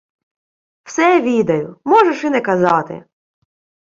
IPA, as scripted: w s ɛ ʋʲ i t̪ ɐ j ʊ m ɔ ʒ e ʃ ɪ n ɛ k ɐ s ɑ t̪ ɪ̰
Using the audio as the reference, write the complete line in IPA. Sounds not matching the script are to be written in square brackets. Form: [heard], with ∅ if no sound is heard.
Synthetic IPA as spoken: w s ɛ ʋʲ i [d̪] ɐ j ʊ m ɔ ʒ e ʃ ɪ n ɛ k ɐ [z] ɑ t̪ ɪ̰

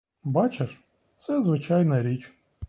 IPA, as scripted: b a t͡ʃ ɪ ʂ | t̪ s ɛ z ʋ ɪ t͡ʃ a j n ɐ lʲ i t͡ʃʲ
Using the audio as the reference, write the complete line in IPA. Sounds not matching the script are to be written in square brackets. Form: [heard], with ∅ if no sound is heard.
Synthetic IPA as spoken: b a t͡ʃ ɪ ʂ | t̪ s ɛ z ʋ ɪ t͡ʃ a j n ɐ [ɾʲ] i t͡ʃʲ

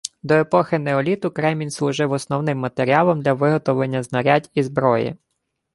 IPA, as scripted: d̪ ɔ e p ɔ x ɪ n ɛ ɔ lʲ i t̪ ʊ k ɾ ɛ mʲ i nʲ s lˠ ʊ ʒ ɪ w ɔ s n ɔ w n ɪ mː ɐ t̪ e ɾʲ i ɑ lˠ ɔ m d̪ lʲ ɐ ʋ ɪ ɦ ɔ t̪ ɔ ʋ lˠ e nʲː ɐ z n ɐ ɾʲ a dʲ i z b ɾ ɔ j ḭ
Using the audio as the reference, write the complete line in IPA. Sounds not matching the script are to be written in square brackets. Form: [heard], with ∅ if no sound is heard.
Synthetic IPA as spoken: d̪ ɔ e p ɔ x ɪ n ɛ ɔ lʲ i t̪ ʊ k ɾ ɛ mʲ i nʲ s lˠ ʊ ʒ ɪ w ɔ s n ɔ w n ɪ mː ɐ t̪ e ɾʲ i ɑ lˠ ɔ m d̪ lʲ ɐ ʋ ɪ ɦ ɔ t̪ ɔ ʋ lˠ e nʲː ɐ z n ɐ ɾʲ a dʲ i z b ɾ ɔ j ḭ

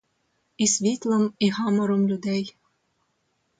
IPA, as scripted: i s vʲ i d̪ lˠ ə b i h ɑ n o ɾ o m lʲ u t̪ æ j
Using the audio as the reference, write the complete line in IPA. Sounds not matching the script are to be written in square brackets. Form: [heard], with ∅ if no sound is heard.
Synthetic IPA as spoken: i s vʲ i [t̪] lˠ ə [m] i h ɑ [m] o ɾ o m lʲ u [d̪] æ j

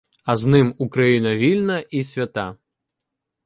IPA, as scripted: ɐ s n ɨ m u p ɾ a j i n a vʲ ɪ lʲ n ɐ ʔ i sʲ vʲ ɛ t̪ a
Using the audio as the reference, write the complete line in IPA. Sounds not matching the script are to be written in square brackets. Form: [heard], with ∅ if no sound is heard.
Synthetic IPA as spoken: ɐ [z] n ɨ m u [k] ɾ a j i n [ɐ] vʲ [i] lʲ n ɐ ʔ i sʲ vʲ [a] t̪ a

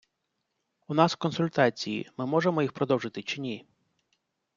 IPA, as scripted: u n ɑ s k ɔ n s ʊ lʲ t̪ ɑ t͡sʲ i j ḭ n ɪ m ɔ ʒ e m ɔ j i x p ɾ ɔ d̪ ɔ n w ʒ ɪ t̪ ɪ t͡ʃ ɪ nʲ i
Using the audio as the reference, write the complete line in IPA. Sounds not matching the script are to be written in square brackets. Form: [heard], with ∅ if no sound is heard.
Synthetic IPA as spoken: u n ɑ s k ɔ n s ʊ lʲ t̪ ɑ t͡sʲ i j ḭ [m] ɪ m ɔ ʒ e m ɔ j i x p ɾ ɔ d̪ ɔ [∅] w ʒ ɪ t̪ ɪ t͡ʃ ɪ nʲ i

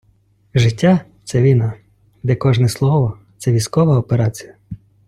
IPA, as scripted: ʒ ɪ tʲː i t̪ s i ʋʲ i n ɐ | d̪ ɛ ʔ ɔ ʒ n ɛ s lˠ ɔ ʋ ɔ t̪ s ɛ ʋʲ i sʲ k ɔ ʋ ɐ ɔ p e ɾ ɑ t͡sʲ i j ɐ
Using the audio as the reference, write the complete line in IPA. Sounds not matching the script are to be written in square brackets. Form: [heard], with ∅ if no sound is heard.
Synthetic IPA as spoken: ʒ ɪ tʲː [a] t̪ s [ɛ] ʋʲ i n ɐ | d̪ ɛ [k] ɔ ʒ n ɛ s lˠ ɔ ʋ ɔ t̪ s ɛ ʋʲ i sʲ k ɔ ʋ ɐ ɔ p e ɾ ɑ t͡sʲ i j ɐ

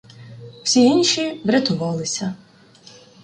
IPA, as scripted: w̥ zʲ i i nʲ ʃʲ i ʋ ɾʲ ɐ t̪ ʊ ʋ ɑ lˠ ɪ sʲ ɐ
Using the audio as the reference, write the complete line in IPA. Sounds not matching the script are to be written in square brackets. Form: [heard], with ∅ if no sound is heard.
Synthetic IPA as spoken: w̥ [sʲ] i i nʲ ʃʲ i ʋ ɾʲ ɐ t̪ ʊ ʋ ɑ lˠ ɪ sʲ ɐ

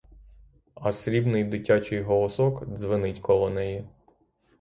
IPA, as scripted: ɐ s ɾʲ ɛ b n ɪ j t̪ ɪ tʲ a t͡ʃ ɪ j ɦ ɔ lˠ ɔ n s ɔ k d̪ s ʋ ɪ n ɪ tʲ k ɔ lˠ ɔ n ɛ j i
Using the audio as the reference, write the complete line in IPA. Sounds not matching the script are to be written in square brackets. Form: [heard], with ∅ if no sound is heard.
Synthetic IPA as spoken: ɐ s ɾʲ [i] b n ɪ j [d̪] ɪ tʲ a t͡ʃ ɪ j ɦ ɔ lˠ ɔ [∅] s ɔ k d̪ [z] ʋ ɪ n ɪ tʲ k ɔ lˠ ɔ n ɛ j i

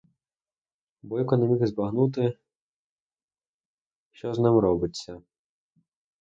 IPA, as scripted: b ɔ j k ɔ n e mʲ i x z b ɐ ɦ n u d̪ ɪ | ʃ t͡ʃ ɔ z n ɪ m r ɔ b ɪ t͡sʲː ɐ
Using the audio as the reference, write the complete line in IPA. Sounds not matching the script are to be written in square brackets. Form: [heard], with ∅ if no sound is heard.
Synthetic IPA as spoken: b ɔ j k ɔ n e mʲ i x z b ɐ ɦ n u [t̪] ɪ | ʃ t͡ʃ ɔ z n ɪ m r ɔ b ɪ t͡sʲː ɐ

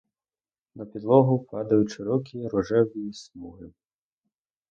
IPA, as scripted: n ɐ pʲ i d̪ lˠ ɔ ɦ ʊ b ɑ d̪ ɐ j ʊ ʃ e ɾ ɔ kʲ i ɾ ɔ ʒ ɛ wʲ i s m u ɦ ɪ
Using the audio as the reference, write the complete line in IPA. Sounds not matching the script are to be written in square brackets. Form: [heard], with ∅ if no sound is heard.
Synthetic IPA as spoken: n ɐ pʲ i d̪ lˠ ɔ ɦ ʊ [p] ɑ d̪ ɐ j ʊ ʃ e ɾ ɔ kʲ i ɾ ɔ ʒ ɛ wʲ i s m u ɦ ɪ

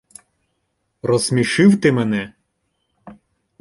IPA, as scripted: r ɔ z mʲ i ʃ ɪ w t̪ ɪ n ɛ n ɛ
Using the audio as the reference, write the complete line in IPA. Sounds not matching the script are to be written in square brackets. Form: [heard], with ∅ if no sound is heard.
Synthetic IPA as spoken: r ɔ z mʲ i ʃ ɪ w t̪ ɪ [m] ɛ n ɛ

